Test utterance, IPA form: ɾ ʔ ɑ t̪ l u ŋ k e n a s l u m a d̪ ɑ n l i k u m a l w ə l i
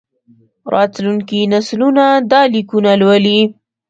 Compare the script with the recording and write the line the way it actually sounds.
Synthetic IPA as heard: ɾ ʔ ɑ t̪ l u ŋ k i n a s l u n a d̪ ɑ l i k u n a l w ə l i